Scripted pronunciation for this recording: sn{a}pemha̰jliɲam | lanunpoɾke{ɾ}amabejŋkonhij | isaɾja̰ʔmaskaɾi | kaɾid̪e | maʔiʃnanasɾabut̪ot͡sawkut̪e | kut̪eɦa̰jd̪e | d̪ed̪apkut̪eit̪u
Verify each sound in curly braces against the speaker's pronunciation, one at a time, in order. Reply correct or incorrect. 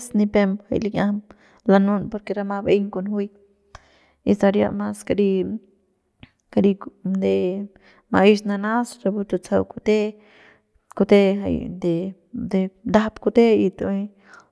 incorrect, correct

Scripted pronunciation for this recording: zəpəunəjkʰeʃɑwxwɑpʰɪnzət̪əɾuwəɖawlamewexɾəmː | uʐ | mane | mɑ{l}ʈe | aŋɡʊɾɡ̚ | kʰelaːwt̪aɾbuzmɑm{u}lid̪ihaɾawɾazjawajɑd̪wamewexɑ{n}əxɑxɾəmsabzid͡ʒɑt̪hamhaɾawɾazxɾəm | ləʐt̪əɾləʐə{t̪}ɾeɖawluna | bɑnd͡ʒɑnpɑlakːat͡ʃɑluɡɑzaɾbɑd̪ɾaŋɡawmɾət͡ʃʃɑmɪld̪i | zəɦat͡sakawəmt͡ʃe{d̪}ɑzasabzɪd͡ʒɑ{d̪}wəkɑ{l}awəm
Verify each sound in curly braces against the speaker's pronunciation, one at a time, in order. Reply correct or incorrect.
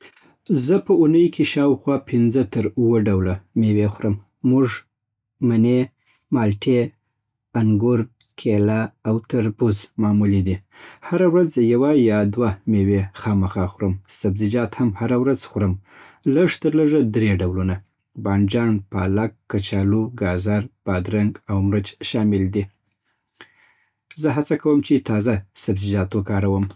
correct, correct, incorrect, incorrect, incorrect, incorrect, incorrect

